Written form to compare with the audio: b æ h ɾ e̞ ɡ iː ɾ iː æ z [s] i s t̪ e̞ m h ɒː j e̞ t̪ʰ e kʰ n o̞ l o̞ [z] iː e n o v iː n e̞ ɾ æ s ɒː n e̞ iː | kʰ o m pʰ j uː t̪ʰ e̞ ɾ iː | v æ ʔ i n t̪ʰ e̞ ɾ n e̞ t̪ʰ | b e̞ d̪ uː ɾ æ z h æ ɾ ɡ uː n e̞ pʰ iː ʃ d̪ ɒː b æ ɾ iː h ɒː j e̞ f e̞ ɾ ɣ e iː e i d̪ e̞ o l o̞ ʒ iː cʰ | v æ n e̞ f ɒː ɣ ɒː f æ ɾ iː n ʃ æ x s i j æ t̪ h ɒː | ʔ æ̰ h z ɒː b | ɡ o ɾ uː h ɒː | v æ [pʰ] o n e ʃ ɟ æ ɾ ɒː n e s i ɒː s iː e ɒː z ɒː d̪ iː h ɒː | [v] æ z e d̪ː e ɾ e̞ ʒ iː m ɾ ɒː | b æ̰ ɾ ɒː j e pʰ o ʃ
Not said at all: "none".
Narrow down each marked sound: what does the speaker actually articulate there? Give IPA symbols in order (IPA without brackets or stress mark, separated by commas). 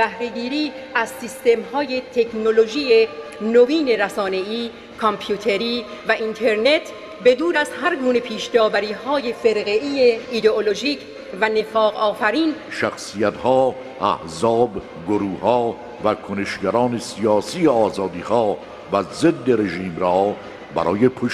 s, ʒ, kʰ, v